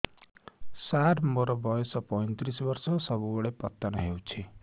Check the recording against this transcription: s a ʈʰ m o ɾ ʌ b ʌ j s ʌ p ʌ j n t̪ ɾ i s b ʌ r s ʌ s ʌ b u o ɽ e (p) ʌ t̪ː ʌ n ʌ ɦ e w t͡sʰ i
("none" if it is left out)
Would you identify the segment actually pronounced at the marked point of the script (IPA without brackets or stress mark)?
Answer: p